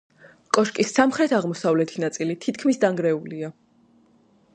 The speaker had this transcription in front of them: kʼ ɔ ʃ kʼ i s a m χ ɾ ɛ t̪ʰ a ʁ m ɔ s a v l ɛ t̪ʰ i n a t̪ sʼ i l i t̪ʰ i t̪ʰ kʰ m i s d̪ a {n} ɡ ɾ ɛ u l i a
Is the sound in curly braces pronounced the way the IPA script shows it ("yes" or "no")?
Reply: no